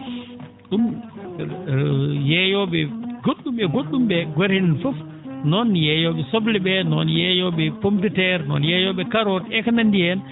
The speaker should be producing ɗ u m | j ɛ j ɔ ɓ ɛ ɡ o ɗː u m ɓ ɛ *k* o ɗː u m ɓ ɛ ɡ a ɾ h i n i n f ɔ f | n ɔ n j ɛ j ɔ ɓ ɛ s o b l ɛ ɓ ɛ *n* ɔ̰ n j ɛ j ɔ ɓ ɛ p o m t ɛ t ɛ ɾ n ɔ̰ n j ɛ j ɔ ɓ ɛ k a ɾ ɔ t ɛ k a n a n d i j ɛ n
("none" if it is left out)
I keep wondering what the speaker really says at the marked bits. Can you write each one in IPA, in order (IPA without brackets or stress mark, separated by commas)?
ɡ, n